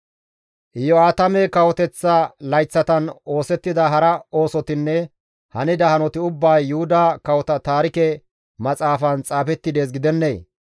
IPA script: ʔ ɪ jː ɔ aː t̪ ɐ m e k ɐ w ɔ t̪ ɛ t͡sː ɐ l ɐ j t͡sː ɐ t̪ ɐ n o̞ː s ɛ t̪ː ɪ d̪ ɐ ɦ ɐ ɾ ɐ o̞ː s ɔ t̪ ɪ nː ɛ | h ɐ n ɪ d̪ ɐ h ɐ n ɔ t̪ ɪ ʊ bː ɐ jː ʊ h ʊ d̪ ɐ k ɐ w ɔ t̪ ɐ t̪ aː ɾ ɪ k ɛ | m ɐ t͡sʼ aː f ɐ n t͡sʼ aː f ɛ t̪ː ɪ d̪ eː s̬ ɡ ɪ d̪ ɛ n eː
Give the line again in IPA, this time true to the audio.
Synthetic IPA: ʔ ɪ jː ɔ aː t̪ ɐ m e k ɐ w ɔ t̪ ɛ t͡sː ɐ l ɐ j t͡sː ɐ t̪ ɐ n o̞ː s ɛ t̪ː ɪ d̪ ɐ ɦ ɐ ɾ ɐ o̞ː s ɔ t̪ ɪ nː ɛ | h ɐ n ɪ d̪ ɐ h ɐ n ɔ t̪ ɪ ʊ bː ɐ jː ʊ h ʊ d̪ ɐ k ɐ w ɔ t̪ ɐ t̪ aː ɾ ɪ k ɛ | m ɐ t͡sʼ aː f ɐ n t͡sʼ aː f ɛ t̪ː ɪ d̪ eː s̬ ɡ ɪ d̪ ɛ nː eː

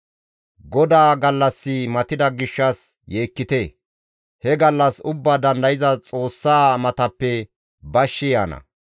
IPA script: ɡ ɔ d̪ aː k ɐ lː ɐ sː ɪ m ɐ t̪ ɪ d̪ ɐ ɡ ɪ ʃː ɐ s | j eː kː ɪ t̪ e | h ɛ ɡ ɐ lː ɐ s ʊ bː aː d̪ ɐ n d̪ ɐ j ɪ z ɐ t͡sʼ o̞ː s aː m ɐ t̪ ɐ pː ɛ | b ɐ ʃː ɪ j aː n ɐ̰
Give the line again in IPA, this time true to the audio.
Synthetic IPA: ɡ ɔ d̪ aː ɡ ɐ lː ɐ sː ɪ m ɐ t̪ ɪ d̪ ɐ ɡ ɪ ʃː ɐ s | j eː kː ɪ t̪ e | h ɛ ɡ ɐ lː ɐ s ʊ bː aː d̪ ɐ n d̪ ɐ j ɪ z ɐ t͡sʼ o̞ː sː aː m ɐ t̪ ɐ pː ɛ | b ɐ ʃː ɪ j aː n ɐ̰

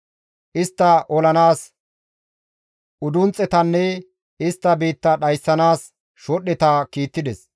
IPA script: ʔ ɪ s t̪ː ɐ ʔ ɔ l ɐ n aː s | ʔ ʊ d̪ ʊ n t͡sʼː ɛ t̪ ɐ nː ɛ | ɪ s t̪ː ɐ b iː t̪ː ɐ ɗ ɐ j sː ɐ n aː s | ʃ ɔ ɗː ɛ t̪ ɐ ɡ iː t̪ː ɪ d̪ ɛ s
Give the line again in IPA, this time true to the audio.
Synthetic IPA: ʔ ɪ s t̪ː ɐ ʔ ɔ l ɐ n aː s | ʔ ʊ d̪ ʊ n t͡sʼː ɛ t̪ ɐ nː ɛ | ɪ s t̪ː ɐ b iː t̪ː ɐ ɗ ɐ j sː ɐ n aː s | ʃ ɔ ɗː ɛ t̪ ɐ k iː t̪ː ɪ d̪ ɛ s

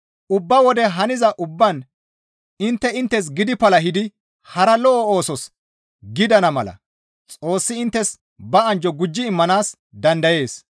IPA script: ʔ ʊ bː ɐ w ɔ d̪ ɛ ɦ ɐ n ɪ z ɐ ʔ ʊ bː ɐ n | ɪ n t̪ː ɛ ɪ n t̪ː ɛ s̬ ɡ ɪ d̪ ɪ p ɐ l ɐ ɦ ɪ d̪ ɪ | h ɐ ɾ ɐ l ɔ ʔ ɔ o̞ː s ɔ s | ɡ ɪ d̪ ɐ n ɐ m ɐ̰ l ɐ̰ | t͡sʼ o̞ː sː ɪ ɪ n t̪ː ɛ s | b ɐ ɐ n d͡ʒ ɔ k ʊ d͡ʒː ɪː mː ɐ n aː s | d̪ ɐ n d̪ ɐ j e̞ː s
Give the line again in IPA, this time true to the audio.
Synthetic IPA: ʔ ʊ bː ɐ w ɔ d̪ ɛ ɦ ɐ n ɪ z ɐ ʔ ʊ bː ɐ n | ɪ n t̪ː ɛ ɪ n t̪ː ɛ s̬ ɡ ɪ d̪ ɪ p ɐ l ɐ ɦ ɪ d̪ ɪ | h ɐ ɾ ɐ l ɔ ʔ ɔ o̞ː s ɔ s | ɡ ɪ d̪ ɐ n ɐ m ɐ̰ l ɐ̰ | t͡sʼ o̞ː sː ɪ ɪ n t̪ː ɛ s | b ɐ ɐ n d͡ʒ ɔ ɡ ʊ d͡ʒː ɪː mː ɐ n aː s | d̪ ɐ n d̪ ɐ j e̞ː s

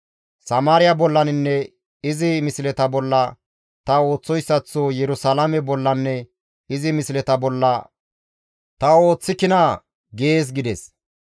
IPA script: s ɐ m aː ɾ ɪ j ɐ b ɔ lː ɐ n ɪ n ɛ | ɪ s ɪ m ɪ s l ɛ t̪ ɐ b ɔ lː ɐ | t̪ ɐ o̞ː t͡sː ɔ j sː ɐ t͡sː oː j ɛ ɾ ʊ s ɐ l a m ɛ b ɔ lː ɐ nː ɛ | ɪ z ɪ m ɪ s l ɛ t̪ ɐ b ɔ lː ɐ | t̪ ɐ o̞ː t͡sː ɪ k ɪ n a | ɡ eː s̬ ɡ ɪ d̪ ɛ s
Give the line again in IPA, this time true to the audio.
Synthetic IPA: s ɐ m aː ɾ ɪ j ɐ b ɔ lː ɐ n ɪ nː ɛ | ɪ z ɪ m ɪ s l ɛ t̪ ɐ b ɔ lː ɐ | t̪ ɐ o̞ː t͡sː ɔ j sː ɐ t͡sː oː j ɛ ɾ ʊ s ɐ l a m ɛ b ɔ lː ɐ nː ɛ | ɪ z ɪ m ɪ s l ɛ t̪ ɐ b ɔ lː ɐ | t̪ ɐ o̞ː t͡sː ɪ k ɪ n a | ɡ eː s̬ ɡ ɪ d̪ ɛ s

